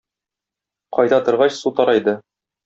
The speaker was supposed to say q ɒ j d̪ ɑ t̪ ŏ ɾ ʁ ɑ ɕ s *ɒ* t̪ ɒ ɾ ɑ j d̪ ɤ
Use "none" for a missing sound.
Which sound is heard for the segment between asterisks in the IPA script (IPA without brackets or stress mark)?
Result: u